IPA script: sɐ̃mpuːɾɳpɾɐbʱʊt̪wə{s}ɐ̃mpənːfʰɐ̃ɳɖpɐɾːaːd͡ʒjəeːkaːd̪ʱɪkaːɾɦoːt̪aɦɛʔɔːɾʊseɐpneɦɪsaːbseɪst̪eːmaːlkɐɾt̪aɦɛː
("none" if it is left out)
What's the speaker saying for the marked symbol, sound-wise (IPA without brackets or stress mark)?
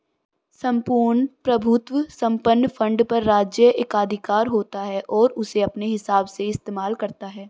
s